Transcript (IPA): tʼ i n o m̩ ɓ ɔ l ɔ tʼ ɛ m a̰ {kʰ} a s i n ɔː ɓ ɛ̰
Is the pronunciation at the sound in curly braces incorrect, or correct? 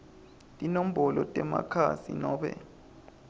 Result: correct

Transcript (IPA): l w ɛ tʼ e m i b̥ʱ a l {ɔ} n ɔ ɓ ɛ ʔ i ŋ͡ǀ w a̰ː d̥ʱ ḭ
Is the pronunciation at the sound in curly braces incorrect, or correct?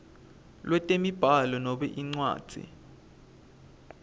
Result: correct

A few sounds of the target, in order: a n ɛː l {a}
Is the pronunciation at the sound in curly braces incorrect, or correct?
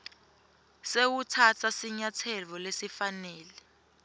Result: incorrect: ɛ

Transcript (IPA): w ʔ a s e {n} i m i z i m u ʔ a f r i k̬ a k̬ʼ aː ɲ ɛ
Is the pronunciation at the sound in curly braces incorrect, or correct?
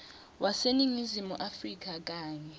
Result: correct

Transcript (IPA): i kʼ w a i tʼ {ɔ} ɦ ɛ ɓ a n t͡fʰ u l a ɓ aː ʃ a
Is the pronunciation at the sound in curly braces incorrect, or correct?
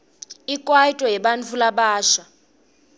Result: correct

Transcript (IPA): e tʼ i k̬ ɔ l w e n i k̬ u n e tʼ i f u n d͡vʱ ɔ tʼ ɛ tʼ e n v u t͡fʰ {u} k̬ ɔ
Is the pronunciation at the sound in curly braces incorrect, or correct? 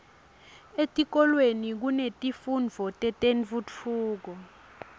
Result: incorrect: uː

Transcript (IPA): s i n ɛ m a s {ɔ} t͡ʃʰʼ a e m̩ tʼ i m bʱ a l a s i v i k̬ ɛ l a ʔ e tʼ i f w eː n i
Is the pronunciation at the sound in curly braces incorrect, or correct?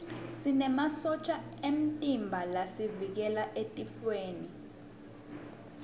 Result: correct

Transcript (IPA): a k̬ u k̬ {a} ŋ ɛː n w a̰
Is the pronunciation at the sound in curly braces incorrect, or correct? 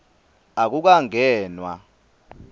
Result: correct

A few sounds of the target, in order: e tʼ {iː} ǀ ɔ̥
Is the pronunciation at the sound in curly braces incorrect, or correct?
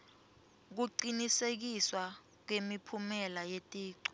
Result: correct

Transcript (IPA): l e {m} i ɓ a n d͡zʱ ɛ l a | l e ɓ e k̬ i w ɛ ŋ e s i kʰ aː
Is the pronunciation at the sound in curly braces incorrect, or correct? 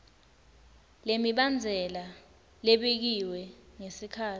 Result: correct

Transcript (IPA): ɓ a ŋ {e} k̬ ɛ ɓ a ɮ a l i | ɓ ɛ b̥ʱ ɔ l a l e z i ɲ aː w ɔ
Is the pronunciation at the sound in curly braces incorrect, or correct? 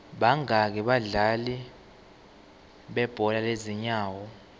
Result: incorrect: a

